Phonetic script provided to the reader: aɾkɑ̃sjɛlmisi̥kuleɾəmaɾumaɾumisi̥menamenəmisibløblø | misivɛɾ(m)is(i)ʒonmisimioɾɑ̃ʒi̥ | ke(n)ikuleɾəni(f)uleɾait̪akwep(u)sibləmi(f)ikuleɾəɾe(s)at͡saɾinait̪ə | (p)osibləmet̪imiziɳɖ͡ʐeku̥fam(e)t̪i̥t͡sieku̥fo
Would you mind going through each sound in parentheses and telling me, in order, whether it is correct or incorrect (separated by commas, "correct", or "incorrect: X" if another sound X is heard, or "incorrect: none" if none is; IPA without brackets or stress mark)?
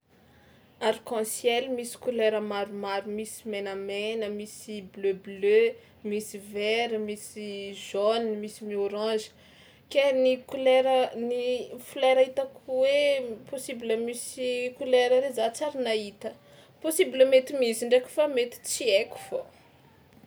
correct, correct, correct, correct, incorrect: o, incorrect: s, incorrect: z, correct, correct